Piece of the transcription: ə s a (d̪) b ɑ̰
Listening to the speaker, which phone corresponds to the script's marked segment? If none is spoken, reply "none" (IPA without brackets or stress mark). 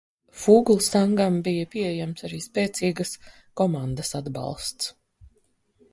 d̪